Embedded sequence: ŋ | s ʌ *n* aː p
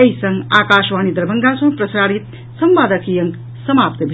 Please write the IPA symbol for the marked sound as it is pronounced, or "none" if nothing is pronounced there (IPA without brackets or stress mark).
m